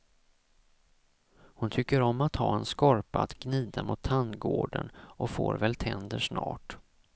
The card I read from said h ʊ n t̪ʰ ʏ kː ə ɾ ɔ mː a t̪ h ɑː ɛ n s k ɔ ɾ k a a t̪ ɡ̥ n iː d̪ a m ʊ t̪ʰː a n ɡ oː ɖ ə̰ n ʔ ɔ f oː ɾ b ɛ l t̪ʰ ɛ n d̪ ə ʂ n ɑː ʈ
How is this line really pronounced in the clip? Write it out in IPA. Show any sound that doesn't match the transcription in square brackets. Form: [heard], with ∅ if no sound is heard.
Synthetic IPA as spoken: h ʊ n t̪ʰ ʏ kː ə ɾ ɔ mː a t̪ h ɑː ɛ n s k ɔ ɾ [p] a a t̪ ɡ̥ n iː d̪ a m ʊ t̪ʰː a n ɡ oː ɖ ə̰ n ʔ ɔ f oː ɾ [v] ɛ l t̪ʰ ɛ n d̪ ə ʂ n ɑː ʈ